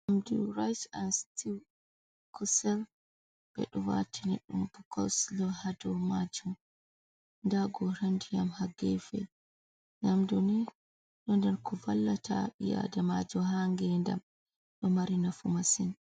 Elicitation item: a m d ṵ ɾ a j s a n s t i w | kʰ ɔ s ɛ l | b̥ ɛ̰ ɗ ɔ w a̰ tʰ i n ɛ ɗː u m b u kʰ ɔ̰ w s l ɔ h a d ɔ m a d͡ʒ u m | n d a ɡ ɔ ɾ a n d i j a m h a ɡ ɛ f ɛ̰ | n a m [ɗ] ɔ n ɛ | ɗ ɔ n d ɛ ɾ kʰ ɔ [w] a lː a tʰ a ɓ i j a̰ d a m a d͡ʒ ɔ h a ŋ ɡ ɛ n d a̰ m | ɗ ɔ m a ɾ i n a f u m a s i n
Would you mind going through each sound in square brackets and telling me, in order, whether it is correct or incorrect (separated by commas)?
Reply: incorrect, incorrect